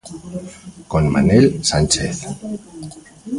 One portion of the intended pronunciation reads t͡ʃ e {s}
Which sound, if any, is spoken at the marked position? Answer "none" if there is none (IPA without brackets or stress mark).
θ